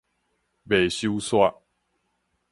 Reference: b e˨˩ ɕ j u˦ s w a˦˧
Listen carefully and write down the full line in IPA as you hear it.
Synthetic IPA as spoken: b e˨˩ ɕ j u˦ s w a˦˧